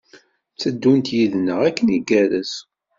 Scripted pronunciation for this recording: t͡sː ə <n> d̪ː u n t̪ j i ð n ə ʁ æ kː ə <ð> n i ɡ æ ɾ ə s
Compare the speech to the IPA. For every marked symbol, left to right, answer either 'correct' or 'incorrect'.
incorrect: none, incorrect: none

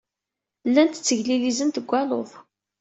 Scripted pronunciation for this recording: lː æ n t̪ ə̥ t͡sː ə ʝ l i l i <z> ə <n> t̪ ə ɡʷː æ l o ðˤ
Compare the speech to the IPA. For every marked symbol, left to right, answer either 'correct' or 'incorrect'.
correct, correct

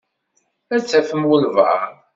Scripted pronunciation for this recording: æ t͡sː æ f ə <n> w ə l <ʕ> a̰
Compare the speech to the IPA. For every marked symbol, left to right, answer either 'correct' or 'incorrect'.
incorrect: m, incorrect: v

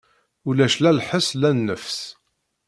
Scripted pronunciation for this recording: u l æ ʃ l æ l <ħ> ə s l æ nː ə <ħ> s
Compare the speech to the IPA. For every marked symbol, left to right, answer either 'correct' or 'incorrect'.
correct, incorrect: f

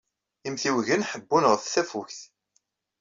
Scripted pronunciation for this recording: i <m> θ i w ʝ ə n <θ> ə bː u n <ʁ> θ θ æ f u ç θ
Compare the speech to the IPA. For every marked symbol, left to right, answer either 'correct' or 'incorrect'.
correct, incorrect: ħ, correct

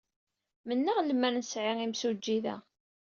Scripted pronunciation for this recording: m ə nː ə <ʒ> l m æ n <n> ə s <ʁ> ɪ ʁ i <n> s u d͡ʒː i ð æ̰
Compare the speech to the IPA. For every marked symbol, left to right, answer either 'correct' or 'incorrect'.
incorrect: ʁ, correct, incorrect: ʕ, incorrect: m

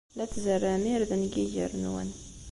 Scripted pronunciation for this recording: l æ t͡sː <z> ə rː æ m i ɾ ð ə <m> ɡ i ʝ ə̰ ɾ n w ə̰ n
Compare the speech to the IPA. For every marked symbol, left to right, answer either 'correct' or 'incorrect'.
correct, incorrect: n

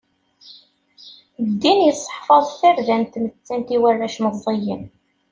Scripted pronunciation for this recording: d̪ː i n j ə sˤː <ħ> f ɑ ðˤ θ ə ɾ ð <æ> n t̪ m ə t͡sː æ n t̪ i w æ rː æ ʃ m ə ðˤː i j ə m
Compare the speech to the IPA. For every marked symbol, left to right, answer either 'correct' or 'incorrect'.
correct, correct

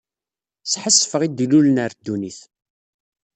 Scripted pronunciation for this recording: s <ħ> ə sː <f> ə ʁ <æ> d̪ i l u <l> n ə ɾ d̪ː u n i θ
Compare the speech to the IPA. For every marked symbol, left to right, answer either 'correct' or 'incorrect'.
correct, correct, incorrect: i, correct

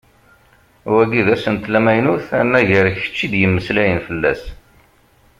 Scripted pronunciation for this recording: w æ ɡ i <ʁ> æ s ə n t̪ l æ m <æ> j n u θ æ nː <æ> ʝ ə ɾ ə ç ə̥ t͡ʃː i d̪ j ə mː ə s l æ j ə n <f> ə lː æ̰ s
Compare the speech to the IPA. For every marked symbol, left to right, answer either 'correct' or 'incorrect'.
incorrect: ð, correct, correct, correct

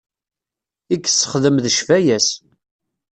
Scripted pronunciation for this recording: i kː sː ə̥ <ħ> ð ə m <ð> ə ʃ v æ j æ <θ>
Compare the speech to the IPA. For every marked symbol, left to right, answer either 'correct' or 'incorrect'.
incorrect: χ, correct, incorrect: s

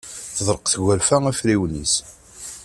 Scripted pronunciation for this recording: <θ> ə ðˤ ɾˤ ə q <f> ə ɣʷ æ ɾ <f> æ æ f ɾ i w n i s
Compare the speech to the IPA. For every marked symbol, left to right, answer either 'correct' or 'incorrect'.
correct, incorrect: θ, correct

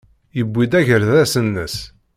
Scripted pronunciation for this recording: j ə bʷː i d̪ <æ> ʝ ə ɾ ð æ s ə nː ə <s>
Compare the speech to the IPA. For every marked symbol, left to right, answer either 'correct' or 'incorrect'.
correct, correct

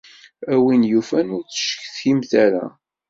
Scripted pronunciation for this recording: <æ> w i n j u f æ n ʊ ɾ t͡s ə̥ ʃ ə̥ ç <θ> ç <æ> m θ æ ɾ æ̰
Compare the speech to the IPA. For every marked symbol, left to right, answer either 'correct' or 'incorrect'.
correct, correct, incorrect: i

